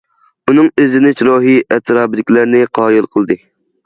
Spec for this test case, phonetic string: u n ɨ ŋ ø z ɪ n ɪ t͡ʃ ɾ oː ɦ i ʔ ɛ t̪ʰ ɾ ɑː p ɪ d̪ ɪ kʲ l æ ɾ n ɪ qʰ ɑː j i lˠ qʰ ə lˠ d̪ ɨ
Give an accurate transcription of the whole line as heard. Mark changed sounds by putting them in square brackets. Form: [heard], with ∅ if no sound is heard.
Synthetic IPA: u n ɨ ŋ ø z ɪ n ɪ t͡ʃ ɾ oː ɦ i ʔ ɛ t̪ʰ ɾ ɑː [b] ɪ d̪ ɪ kʲ l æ ɾ n ɪ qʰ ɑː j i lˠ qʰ ə lˠ d̪ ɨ